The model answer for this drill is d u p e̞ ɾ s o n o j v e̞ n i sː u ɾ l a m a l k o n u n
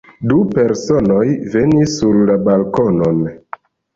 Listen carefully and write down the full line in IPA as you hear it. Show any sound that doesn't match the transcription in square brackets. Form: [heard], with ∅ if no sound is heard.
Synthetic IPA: d u p e̞ ɾ s o n o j v e̞ n i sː u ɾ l a [b] a l k o n [o] n